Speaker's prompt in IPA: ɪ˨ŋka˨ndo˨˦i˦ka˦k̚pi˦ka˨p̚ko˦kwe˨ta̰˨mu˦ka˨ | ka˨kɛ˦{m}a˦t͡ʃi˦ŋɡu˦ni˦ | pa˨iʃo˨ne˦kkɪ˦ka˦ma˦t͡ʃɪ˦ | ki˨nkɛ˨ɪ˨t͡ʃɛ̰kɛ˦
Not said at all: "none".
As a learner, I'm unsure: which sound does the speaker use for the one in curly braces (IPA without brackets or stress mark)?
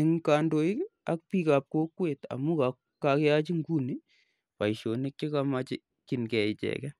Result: none